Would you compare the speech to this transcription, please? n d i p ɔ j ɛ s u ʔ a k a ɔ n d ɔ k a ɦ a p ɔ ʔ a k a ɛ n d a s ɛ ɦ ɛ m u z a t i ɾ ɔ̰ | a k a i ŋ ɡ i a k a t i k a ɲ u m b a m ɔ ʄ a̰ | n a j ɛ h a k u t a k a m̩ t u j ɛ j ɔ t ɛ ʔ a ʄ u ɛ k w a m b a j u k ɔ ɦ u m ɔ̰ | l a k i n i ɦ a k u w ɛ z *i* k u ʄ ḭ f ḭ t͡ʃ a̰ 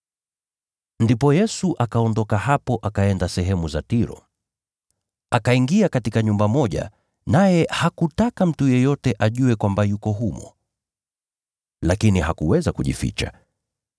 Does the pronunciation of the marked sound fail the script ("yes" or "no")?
yes